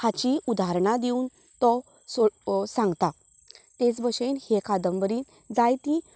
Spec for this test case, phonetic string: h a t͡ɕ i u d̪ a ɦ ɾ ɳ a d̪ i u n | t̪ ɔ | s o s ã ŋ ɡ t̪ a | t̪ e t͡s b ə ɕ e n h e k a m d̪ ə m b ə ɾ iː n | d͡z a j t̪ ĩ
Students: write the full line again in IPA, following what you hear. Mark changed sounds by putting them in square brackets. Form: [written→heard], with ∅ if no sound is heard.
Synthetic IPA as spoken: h a t͡ɕ i u d̪ a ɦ ɾ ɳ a d̪ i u n | t̪ ɔ | s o s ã ŋ ɡ t̪ a | t̪ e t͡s b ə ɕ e n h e k a [m→∅] d̪ ə m b ə ɾ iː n | d͡z a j t̪ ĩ